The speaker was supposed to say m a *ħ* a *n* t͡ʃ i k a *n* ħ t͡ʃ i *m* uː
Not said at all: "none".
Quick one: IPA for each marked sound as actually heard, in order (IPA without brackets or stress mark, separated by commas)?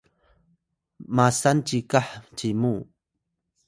s, n, none, m